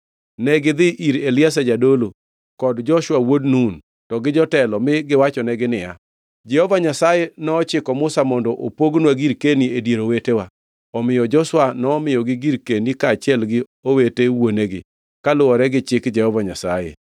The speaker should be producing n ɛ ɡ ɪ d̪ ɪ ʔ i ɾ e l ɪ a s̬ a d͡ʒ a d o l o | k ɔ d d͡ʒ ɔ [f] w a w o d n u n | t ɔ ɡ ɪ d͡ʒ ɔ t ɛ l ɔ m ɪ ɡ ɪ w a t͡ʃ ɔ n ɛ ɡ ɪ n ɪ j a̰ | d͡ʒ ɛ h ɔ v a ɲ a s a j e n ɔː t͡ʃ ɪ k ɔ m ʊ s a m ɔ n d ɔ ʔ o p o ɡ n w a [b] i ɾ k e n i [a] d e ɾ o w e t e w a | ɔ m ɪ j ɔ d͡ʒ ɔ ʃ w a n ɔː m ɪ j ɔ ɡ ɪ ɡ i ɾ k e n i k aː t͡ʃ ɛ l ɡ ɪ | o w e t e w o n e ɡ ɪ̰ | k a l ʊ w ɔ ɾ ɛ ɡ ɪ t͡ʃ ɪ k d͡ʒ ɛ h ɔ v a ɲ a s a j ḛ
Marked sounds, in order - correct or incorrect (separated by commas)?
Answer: incorrect, incorrect, incorrect